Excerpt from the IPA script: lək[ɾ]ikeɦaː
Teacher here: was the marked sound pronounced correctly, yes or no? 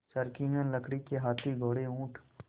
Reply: no